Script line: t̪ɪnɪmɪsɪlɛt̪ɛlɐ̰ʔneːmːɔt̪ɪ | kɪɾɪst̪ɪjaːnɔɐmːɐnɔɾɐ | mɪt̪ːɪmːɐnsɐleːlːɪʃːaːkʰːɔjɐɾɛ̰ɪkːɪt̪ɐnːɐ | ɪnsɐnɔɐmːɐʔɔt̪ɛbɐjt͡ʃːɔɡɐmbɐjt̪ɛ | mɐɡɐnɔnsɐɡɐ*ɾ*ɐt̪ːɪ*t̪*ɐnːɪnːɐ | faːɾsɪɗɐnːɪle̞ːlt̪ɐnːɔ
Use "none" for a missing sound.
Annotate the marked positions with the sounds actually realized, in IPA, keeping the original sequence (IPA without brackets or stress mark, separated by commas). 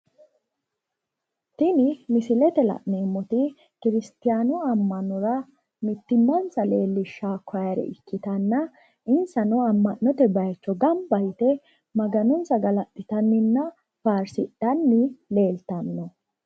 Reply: l, t̪